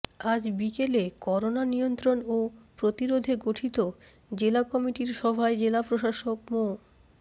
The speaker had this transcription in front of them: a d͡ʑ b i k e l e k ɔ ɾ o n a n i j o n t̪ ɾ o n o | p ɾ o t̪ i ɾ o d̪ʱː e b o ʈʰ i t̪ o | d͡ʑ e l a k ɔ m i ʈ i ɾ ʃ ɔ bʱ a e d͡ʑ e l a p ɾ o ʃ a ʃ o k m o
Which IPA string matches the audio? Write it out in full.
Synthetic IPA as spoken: a d͡ʑ b i k e l e k ɔ ɾ o n a n i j o n t̪ ɾ o n o | p ɾ o t̪ i ɾ o d̪ʱ e ɡ o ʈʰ i t̪ o | d͡ʑ e l a k ɔ m i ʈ i ɾ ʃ ɔ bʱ a e d͡ʑ e l a p ɾ o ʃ a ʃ o k m o